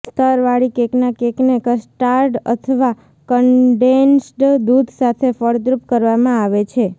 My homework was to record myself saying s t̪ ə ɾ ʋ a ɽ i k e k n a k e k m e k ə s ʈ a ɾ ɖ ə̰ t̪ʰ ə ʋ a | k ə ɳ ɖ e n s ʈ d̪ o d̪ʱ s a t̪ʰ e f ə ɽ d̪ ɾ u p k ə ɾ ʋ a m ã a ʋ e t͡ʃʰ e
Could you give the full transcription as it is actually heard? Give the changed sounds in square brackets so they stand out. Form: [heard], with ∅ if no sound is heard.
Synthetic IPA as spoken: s t̪ ə ɾ ʋ a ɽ i k e k n a k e k [n] e k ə s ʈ a ɾ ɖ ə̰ t̪ʰ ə ʋ a | k ə ɳ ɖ e n s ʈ d̪ [u] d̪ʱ s a t̪ʰ e f ə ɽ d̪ ɾ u p k ə ɾ ʋ a m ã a ʋ e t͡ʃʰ e